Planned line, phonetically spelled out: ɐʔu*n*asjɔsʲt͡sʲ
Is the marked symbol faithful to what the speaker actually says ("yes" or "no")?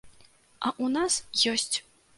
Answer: yes